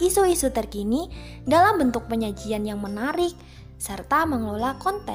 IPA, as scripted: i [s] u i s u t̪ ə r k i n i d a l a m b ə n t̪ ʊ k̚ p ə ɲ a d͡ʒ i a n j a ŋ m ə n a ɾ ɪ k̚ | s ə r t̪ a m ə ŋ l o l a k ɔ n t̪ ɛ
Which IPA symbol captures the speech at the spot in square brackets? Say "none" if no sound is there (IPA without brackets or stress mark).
s